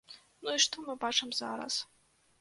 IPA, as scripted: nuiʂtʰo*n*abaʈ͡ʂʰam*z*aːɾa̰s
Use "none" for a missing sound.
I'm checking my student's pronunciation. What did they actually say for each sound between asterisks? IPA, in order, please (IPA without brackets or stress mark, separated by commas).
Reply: m, z